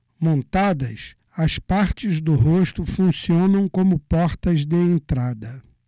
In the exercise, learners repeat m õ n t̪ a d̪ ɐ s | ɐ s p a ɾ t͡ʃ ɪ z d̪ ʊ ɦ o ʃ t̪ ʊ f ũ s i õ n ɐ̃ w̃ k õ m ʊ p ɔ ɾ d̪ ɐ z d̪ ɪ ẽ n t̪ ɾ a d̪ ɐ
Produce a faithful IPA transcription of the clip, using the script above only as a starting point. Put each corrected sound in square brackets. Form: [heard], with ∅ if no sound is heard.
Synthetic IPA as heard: m õ n t̪ a d̪ ɐ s | ɐ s p a ɾ t͡ʃ ɪ z d̪ ʊ ɦ o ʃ t̪ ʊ f ũ s i õ n ɐ̃ w̃ k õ m ʊ p ɔ ɾ [t̪] ɐ z d̪ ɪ ẽ n t̪ ɾ a d̪ ɐ